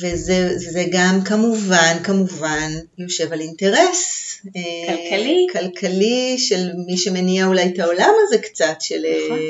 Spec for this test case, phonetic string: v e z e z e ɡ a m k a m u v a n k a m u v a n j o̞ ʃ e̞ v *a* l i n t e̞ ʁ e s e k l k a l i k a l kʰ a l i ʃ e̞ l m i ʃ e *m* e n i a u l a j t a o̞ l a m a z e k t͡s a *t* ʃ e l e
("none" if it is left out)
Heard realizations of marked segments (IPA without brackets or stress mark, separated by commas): a, m, t